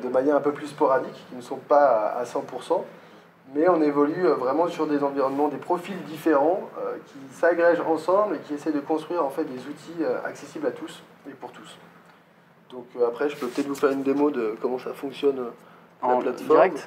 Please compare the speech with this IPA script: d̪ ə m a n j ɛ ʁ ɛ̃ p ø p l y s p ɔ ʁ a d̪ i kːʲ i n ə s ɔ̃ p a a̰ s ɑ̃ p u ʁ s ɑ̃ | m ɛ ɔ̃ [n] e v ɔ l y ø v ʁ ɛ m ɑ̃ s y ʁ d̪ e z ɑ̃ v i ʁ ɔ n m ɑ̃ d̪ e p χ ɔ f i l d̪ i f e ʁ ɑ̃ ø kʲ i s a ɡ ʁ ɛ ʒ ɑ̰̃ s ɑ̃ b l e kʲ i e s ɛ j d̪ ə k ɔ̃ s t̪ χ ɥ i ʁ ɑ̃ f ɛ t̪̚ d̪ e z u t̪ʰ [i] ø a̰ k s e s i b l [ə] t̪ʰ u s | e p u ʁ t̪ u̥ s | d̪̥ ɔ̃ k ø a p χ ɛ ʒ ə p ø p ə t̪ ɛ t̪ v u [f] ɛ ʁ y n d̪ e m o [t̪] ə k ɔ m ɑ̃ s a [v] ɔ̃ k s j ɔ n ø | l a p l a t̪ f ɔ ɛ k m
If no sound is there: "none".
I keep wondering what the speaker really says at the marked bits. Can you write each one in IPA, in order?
n, i, a, f, d̪, f

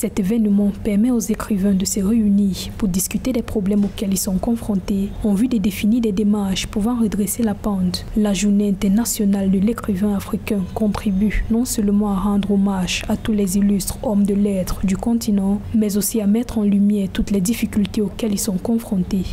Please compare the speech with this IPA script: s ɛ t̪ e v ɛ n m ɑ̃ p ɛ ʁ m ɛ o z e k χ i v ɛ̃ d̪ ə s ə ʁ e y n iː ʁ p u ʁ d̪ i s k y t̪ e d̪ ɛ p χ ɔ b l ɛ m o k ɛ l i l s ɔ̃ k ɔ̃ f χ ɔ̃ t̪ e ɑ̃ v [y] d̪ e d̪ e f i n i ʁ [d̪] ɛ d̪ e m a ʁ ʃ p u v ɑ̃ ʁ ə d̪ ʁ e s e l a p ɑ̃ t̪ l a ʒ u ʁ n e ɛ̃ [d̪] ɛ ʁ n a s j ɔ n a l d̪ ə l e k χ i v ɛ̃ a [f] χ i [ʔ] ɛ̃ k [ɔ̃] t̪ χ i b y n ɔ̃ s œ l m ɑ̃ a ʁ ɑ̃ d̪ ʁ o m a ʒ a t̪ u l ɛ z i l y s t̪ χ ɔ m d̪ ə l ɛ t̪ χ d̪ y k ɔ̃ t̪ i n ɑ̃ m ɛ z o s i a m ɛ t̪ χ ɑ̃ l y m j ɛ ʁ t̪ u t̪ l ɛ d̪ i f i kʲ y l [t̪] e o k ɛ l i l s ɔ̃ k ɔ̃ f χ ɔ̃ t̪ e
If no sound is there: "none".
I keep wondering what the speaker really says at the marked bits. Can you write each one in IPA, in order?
y, d̪, t̪, f, k, ɔ̃, t̪

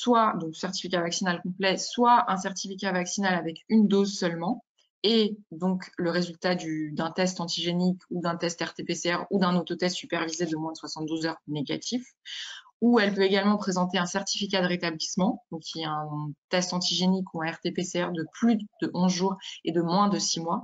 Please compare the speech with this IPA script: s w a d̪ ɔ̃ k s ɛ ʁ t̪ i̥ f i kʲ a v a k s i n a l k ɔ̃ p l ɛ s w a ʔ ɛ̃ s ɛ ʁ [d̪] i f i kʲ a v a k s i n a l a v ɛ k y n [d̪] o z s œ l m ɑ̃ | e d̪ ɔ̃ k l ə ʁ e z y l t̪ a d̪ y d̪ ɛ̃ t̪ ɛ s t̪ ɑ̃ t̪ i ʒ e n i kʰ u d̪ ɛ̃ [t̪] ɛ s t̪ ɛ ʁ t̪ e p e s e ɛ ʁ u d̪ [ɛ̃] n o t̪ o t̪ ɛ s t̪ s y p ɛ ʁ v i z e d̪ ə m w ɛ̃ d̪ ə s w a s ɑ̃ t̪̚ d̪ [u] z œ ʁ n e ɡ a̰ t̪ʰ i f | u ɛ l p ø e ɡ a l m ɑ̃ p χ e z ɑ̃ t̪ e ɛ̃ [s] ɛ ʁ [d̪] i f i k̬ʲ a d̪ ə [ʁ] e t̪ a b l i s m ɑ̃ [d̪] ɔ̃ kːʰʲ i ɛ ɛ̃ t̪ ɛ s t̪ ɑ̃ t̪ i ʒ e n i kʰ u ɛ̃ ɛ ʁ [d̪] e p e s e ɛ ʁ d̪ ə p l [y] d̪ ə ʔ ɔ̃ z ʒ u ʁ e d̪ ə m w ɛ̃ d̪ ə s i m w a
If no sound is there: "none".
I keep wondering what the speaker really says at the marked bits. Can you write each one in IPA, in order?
t̪, d̪, t̪, ɛ̃, u, s, t̪, ʁ, d̪, t̪, y

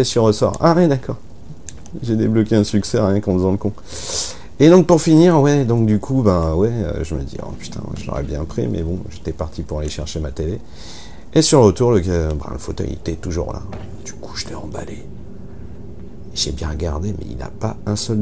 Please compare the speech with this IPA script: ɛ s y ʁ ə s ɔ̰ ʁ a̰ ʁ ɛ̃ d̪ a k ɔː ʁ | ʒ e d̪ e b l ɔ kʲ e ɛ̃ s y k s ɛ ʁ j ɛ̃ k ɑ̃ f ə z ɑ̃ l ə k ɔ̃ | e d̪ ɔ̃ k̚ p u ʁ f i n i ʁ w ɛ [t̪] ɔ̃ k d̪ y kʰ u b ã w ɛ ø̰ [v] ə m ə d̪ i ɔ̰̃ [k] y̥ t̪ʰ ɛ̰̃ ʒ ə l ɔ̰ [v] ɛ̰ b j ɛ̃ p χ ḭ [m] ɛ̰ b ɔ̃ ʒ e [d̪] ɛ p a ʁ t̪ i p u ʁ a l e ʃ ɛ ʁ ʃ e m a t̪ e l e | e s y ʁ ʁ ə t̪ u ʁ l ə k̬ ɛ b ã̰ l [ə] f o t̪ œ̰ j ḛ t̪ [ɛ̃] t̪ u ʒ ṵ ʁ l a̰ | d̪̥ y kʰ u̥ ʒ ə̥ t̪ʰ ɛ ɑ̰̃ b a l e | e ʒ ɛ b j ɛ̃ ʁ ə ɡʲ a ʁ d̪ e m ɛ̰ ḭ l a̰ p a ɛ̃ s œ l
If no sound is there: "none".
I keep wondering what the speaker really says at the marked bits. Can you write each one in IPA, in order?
d̪, ʒ, p, ʁ, m, t̪, ə, ɛ

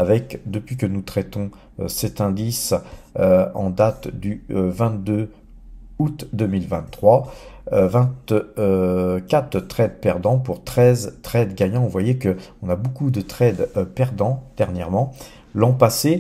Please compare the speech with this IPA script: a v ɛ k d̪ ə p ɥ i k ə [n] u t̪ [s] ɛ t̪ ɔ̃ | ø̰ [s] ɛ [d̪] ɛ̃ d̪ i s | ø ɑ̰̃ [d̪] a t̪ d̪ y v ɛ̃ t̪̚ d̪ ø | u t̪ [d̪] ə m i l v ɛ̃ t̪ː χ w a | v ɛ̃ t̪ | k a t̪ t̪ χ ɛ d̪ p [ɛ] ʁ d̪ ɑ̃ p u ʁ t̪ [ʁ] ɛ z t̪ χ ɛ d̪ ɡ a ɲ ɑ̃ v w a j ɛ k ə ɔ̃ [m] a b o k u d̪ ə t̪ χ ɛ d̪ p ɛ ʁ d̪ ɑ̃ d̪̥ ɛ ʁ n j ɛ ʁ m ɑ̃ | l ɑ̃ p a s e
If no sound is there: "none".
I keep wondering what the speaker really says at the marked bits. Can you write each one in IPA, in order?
n, χ, s, t̪, d̪, d̪, ɛ, χ, n

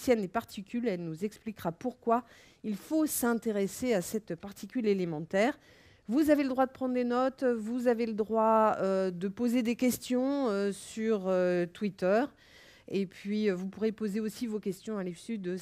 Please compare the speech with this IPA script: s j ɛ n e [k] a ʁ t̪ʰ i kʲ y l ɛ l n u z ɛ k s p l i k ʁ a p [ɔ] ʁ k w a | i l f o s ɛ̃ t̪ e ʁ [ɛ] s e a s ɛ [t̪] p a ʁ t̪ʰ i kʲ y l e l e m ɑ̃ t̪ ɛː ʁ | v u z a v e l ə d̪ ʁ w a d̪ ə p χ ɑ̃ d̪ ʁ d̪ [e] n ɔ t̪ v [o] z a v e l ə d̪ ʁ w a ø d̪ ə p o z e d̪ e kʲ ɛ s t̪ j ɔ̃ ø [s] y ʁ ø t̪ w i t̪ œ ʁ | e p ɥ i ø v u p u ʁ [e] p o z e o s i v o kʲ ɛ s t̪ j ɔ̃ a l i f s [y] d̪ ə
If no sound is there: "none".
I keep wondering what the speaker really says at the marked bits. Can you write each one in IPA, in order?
p, u, e, t̪, e, u, s, e, y

